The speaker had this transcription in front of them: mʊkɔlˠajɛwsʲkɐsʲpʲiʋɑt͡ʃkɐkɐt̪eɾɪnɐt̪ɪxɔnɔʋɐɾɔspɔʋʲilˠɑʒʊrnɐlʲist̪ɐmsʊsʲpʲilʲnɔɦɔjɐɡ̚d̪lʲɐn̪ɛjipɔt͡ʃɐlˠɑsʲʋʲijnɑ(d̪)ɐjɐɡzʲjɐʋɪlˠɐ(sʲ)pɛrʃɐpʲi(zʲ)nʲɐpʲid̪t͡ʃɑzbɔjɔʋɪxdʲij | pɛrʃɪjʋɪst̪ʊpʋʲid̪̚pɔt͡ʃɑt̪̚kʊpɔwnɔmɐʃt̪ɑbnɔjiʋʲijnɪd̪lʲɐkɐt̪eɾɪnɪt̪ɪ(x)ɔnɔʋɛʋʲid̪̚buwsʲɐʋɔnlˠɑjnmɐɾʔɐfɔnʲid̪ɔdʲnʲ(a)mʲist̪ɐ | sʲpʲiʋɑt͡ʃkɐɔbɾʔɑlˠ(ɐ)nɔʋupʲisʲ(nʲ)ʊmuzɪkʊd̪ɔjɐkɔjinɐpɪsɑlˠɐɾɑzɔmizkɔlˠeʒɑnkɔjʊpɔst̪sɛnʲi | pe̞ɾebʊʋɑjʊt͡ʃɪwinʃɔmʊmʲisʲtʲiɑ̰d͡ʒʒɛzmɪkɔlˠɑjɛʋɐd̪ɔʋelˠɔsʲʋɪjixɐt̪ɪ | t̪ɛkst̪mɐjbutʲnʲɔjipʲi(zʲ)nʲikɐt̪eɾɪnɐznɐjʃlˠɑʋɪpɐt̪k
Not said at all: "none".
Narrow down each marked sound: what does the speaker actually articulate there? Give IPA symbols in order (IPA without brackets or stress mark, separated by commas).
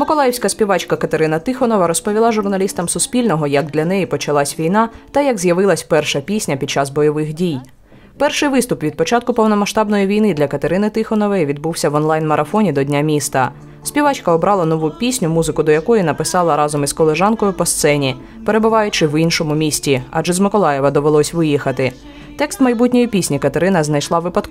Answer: t̪, sʲ, sʲ, x, a, ɐ, nʲ, sʲ